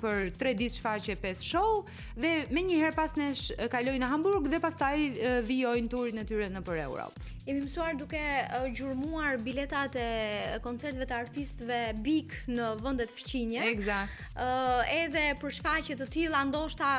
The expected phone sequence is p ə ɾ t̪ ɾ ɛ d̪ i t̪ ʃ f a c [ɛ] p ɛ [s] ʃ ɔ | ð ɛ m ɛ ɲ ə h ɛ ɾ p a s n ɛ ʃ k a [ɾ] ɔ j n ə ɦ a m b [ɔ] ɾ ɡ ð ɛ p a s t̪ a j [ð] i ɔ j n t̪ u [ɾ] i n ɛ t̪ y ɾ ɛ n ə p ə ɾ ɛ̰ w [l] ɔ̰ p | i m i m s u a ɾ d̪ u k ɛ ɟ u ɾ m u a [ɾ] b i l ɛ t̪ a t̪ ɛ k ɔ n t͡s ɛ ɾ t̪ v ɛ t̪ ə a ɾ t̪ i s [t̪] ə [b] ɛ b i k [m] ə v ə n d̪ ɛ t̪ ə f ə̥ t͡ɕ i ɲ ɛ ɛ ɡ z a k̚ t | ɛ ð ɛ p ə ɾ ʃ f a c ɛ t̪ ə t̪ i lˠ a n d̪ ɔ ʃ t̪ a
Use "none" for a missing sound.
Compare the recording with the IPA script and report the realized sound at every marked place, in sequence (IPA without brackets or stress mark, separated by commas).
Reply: ɛ, s, l, u, v, ɾ, ɾ, ɾ, t̪, v, n